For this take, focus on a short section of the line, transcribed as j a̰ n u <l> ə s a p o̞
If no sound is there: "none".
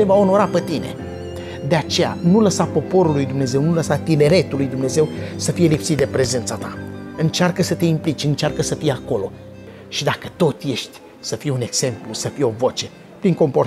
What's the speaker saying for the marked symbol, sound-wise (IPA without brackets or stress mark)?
l